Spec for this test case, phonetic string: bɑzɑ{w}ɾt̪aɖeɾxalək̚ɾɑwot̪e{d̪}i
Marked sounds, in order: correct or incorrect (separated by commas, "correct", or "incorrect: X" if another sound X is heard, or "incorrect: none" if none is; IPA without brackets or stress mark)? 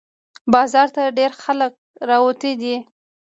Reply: incorrect: none, correct